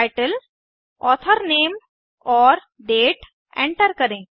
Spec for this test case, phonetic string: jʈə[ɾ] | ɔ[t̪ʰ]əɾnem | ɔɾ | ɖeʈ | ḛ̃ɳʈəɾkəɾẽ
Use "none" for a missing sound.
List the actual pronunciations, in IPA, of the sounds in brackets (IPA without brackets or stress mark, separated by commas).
l, t̪ʰ